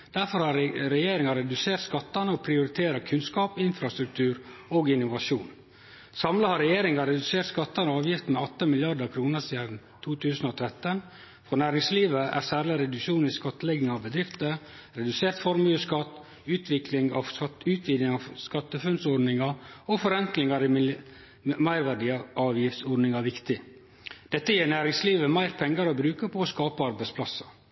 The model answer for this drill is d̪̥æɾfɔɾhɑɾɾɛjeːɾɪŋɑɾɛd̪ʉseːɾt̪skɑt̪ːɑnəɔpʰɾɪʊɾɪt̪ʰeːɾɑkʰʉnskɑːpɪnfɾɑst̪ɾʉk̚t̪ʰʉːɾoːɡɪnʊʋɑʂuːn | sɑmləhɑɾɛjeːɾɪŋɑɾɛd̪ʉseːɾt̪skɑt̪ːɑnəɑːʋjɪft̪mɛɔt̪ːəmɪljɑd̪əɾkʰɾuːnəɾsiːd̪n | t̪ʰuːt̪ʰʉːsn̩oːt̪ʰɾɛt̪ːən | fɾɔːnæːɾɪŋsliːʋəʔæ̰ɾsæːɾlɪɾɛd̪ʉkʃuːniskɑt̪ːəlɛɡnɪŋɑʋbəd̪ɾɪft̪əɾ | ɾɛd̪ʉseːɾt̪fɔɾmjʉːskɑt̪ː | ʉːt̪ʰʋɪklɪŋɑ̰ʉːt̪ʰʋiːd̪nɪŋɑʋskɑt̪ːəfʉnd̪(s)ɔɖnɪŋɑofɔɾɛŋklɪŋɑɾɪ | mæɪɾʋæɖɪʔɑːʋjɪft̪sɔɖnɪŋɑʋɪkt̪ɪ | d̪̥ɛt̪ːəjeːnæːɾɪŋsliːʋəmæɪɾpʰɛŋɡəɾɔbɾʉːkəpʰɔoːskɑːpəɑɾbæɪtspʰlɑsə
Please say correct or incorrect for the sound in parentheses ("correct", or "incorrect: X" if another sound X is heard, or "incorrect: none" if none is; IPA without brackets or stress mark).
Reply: correct